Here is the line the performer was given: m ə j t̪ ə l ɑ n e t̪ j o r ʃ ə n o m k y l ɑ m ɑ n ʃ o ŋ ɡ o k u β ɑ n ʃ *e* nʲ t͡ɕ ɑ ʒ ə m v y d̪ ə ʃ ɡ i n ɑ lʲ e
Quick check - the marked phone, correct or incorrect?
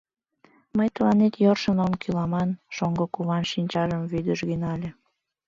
incorrect